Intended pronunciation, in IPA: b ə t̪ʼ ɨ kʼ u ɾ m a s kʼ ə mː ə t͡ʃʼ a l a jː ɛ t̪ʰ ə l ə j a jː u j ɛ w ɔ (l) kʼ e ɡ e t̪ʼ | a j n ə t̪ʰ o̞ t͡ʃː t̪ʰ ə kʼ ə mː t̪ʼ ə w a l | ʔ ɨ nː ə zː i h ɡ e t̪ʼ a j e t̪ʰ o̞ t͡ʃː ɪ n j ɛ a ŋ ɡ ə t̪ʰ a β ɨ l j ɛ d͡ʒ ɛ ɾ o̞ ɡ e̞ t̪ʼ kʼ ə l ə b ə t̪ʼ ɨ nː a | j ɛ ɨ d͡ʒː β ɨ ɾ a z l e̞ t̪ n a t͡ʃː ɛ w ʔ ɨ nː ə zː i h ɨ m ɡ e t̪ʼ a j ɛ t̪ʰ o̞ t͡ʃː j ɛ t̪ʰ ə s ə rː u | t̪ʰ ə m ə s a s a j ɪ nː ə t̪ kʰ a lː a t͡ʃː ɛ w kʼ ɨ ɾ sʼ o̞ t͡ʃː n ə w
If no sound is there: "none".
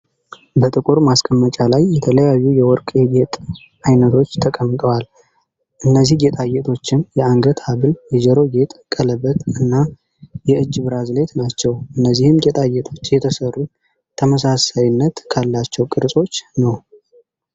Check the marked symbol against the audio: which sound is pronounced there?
ɾ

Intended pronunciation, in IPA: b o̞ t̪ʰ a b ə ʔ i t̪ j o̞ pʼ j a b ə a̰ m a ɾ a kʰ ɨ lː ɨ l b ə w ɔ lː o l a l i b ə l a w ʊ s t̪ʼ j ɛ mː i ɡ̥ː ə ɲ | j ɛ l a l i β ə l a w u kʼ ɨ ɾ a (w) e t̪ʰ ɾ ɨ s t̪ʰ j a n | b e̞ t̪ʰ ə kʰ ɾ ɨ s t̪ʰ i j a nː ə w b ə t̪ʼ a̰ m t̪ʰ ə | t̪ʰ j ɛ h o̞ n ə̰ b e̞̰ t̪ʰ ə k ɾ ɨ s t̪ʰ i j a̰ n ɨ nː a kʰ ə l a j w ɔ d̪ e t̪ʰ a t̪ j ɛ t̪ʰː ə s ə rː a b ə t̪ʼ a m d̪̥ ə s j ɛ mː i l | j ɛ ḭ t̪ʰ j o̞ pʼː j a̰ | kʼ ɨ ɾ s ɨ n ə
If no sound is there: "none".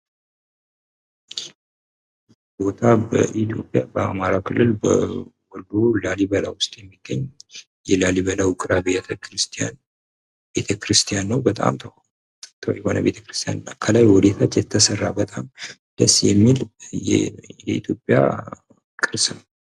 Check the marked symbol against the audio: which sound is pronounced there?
b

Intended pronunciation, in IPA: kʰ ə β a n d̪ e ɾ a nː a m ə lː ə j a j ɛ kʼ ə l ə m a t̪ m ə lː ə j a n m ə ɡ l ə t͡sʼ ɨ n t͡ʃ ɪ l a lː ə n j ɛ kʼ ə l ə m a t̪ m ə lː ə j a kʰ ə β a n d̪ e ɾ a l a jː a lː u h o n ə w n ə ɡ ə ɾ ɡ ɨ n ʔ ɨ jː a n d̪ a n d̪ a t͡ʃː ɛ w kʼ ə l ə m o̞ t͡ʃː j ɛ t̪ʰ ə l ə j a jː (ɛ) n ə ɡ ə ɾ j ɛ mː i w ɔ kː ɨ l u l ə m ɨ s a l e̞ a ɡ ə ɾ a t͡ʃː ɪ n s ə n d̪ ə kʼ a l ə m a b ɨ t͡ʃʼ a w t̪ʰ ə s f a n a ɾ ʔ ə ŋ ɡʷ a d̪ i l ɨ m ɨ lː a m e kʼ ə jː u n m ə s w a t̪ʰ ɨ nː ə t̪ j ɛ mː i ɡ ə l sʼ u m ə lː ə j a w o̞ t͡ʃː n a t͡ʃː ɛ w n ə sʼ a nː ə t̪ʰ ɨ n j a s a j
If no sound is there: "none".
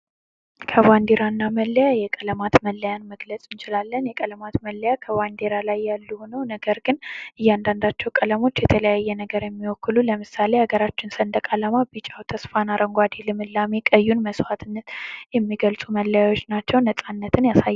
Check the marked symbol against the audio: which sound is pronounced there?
ɛ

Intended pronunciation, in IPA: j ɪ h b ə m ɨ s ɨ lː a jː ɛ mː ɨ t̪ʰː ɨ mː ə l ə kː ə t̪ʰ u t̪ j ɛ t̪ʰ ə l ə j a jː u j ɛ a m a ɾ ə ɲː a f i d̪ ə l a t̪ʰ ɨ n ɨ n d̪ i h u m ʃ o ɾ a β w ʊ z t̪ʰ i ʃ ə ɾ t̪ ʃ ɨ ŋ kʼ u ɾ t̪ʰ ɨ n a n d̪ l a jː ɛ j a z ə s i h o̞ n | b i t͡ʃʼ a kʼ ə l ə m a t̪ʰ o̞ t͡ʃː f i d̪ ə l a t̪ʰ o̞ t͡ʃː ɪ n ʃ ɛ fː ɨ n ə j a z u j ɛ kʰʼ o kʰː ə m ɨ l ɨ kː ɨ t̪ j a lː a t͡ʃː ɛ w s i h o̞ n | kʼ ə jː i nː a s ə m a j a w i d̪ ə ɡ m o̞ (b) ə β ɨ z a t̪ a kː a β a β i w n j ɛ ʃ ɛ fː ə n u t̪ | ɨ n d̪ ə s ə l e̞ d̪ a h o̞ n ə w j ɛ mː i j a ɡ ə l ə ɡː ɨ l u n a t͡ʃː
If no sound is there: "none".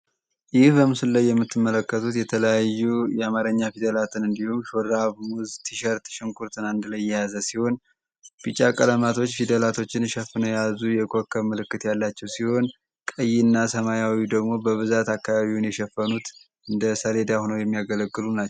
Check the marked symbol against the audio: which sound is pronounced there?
b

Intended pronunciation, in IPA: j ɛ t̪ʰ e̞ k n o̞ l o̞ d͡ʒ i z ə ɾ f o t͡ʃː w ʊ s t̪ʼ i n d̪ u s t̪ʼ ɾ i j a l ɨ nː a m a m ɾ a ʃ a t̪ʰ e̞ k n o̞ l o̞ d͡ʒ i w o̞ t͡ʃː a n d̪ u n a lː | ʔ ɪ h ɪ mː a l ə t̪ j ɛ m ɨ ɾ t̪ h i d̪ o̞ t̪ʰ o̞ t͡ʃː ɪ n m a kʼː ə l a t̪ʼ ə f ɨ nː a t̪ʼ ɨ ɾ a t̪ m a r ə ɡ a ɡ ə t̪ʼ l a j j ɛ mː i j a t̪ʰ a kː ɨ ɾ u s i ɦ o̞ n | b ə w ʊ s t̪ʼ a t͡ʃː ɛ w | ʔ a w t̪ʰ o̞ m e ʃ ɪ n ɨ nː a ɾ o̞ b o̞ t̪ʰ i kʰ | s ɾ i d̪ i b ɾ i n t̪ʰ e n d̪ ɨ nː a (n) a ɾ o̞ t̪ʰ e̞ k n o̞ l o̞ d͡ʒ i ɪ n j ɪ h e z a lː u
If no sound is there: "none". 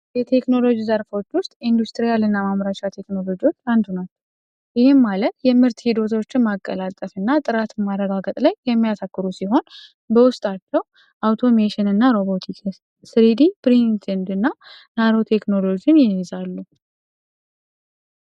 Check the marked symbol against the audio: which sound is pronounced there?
n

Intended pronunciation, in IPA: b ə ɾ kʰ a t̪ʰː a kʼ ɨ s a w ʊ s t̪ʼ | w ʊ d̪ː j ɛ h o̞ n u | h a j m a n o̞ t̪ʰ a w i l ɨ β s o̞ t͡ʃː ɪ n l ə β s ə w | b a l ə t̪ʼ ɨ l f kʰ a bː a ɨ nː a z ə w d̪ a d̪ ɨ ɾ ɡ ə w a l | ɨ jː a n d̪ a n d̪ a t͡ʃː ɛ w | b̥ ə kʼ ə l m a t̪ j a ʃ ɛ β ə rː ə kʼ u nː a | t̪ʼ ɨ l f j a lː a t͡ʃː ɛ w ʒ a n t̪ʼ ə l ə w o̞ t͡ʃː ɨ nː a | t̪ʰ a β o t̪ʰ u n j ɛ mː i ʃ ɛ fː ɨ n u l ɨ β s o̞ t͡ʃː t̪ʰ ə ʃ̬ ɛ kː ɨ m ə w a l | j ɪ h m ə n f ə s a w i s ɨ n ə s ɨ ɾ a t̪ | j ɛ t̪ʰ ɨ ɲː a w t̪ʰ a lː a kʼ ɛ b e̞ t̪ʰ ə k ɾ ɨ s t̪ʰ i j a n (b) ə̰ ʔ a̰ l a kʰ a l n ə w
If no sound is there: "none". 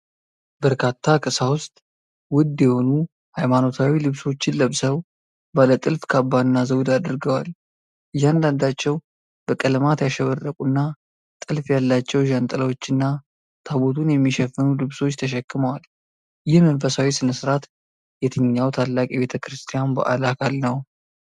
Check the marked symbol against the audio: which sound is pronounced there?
b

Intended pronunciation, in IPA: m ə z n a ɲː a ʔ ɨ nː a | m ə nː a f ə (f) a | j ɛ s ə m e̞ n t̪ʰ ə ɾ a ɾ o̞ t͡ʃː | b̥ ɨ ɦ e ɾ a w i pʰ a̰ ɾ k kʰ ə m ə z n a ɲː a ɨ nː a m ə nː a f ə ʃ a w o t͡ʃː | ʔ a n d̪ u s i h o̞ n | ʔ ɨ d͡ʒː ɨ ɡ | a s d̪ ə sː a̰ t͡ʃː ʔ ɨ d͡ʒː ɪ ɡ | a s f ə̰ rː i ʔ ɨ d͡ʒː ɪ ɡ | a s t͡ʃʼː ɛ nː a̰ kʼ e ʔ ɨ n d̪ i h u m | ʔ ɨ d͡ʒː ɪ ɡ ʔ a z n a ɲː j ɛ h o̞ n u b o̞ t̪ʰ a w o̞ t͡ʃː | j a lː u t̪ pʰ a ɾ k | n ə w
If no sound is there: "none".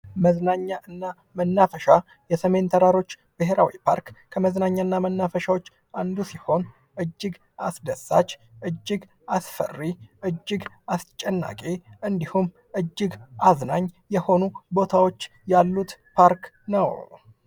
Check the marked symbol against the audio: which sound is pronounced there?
ʃ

